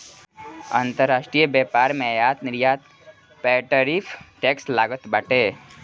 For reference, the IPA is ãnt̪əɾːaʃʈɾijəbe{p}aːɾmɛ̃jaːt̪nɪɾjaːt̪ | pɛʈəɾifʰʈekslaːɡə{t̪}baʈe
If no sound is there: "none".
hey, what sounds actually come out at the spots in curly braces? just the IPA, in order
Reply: p, t̪

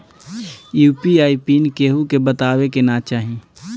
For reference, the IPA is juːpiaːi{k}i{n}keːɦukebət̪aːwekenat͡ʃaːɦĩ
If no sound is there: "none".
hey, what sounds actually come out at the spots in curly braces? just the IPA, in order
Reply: p, n

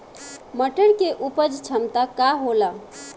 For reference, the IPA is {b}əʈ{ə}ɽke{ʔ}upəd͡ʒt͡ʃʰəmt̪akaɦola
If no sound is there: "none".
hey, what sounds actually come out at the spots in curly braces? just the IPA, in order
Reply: m, ə, ʔ

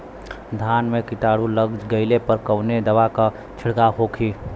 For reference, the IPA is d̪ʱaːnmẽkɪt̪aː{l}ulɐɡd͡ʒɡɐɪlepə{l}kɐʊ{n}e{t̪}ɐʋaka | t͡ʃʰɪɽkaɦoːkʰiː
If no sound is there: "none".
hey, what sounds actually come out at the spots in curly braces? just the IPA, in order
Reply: ɽ, ɾ, n, d̪

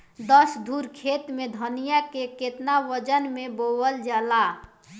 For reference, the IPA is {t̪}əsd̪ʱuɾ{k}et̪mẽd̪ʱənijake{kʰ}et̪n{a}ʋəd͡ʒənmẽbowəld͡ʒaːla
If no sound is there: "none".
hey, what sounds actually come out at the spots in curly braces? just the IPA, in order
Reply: d̪, kʰ, k, a

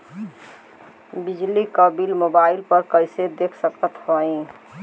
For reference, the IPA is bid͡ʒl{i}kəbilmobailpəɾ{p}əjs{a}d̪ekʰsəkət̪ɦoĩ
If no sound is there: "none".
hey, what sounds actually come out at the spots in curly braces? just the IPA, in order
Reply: i, k, e

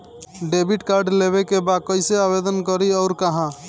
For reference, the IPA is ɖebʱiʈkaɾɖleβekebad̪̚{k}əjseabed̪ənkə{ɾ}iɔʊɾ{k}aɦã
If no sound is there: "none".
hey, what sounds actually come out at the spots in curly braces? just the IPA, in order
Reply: k, ɾ, k

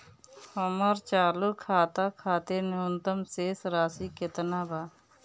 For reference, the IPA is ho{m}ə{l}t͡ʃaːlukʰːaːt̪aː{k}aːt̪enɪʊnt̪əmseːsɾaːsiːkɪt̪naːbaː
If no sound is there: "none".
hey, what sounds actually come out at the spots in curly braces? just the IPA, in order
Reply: m, ɾ, kʰ

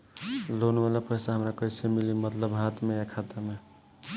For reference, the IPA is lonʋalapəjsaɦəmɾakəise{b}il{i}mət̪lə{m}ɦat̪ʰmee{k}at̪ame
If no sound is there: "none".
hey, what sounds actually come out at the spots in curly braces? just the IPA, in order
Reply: m, i, b, kʰ

